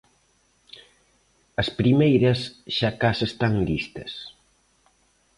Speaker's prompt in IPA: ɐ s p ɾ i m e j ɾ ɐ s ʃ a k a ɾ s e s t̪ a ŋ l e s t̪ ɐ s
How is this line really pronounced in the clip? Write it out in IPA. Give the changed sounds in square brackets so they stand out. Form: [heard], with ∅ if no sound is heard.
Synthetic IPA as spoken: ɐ s p ɾ i m e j ɾ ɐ s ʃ a k a [∅] s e s t̪ a ŋ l [i] s t̪ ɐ s